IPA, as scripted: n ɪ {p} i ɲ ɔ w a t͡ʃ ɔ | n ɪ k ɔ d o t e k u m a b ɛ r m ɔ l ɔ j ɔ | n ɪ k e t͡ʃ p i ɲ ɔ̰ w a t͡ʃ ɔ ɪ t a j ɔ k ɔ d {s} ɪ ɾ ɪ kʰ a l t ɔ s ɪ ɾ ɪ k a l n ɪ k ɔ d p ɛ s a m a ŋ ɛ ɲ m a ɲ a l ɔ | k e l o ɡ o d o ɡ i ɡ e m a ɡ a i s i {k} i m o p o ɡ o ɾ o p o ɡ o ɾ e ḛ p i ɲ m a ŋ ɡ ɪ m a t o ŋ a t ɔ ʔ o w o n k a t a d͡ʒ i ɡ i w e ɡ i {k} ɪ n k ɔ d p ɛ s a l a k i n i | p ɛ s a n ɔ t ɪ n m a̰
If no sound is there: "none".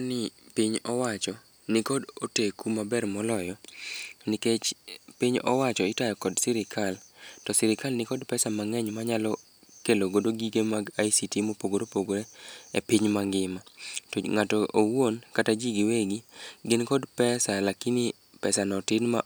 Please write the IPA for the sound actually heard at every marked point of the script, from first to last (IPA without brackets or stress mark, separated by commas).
p, s, t, ɡ